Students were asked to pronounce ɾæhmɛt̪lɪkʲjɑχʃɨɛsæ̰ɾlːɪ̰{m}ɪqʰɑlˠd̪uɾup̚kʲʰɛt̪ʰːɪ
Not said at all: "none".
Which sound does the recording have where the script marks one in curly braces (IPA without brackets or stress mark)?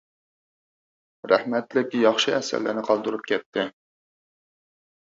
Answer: n